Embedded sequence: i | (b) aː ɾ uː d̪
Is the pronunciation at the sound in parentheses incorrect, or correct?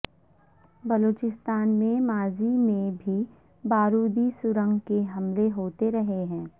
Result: correct